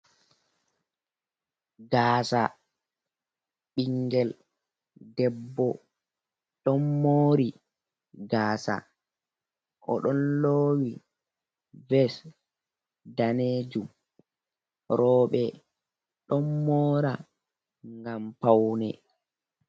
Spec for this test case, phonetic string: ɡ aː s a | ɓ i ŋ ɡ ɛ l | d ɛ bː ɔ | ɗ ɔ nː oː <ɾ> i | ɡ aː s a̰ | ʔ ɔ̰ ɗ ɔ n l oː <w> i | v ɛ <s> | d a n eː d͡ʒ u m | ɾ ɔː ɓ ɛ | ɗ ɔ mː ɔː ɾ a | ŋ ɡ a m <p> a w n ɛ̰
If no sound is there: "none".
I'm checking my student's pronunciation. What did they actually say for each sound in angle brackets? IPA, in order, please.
ɾ, w, s, p

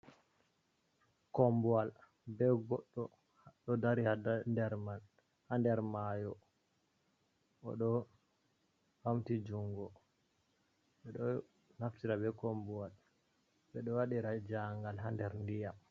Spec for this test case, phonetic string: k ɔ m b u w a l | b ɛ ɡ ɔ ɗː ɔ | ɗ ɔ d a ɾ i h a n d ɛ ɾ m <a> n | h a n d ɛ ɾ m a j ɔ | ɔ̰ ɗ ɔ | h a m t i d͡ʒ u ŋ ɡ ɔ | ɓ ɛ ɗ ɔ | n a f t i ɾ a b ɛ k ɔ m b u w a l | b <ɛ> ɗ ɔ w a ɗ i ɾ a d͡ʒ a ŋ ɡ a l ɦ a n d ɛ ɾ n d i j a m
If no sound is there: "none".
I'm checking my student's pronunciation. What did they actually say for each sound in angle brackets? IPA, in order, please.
a, ɛ

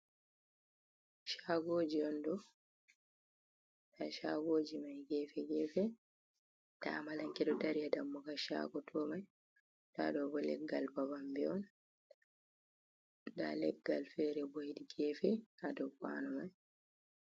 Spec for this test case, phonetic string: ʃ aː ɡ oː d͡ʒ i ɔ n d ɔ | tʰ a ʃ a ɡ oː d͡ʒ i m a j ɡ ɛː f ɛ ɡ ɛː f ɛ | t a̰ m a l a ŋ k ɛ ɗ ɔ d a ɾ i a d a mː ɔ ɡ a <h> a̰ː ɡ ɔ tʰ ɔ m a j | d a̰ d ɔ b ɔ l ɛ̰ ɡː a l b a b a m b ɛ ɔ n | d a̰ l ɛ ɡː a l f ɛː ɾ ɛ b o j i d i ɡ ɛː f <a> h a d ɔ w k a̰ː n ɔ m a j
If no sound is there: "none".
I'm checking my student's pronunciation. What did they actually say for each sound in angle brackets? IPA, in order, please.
ʃ, ɛ

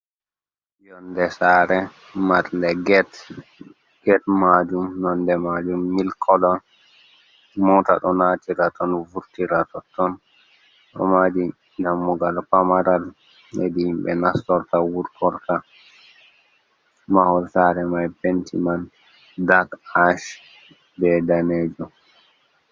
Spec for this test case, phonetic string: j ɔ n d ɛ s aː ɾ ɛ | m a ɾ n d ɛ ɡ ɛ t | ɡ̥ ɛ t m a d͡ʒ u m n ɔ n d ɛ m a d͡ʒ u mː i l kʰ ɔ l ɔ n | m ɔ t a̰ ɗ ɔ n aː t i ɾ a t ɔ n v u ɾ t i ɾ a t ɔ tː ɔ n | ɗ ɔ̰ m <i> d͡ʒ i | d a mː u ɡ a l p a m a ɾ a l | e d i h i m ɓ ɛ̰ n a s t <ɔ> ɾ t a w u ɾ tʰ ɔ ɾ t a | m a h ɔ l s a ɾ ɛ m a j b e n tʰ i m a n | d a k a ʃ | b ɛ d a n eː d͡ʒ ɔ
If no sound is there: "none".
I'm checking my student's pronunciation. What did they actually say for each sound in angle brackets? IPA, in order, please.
a, ɔ

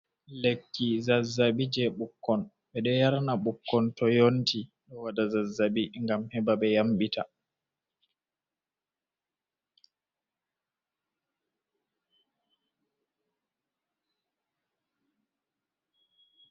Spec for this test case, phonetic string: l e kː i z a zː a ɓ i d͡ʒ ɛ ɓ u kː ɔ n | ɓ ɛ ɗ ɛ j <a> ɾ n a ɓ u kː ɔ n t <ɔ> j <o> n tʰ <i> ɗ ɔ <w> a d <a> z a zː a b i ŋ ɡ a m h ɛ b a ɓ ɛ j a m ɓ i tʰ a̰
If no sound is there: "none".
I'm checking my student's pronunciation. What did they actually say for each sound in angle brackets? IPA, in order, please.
a, ɔ, o, i, w, a

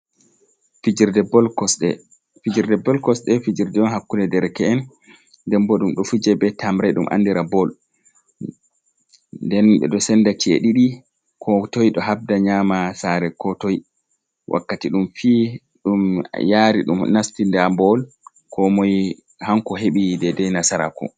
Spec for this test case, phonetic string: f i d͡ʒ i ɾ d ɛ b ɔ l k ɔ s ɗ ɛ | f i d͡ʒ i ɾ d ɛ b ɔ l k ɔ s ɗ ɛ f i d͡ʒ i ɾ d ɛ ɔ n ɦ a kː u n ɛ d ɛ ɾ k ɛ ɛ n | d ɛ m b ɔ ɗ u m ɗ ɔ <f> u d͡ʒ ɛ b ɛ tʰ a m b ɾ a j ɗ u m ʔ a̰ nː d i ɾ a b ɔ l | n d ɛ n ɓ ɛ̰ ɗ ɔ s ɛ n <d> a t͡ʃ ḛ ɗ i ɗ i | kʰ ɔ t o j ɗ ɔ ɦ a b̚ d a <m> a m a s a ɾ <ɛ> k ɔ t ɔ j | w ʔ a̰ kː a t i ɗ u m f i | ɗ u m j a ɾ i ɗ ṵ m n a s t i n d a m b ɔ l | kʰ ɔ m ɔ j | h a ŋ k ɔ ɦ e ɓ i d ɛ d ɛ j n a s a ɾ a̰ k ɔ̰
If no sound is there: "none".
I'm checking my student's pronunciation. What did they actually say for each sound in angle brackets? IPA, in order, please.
f, d, ɲ, ɛ

